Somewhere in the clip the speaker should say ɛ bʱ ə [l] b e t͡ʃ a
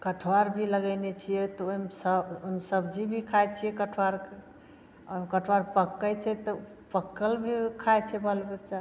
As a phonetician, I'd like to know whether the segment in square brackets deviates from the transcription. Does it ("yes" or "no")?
no